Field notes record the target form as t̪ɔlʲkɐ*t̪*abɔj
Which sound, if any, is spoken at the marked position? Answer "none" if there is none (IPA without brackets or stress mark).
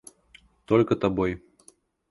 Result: t̪